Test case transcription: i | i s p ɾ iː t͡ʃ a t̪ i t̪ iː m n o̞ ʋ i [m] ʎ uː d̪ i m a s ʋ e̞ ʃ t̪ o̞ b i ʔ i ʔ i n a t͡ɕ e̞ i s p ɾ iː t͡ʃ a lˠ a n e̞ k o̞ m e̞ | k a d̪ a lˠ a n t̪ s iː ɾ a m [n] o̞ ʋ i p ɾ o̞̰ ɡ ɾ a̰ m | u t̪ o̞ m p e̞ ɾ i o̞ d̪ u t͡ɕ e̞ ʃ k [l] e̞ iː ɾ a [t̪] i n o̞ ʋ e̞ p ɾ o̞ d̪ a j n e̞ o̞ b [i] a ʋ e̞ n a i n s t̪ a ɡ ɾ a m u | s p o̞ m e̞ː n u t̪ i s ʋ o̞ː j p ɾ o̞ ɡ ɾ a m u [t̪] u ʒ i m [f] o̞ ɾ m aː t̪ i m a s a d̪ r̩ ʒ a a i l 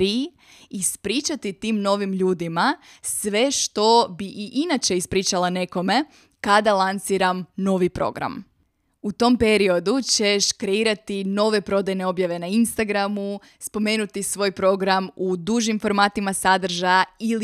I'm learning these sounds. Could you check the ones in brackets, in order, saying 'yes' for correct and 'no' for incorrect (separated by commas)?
yes, yes, no, yes, no, no, yes